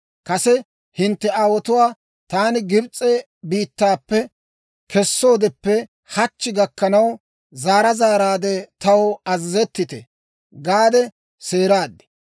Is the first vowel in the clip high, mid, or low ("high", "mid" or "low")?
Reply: low